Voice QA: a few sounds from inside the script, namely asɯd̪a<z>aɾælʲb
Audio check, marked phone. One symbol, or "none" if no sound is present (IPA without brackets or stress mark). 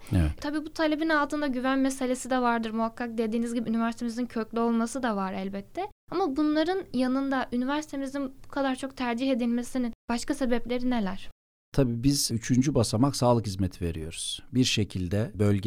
v